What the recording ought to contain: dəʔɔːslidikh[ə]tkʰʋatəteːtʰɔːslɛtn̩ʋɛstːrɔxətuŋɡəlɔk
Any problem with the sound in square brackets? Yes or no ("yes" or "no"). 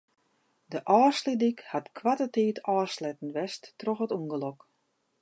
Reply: yes